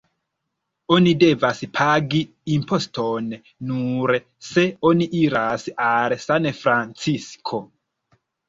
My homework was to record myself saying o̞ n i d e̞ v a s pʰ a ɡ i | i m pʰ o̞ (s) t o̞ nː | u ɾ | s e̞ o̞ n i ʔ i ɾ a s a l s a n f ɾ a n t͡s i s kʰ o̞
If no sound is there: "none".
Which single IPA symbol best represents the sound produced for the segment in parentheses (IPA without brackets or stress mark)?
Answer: s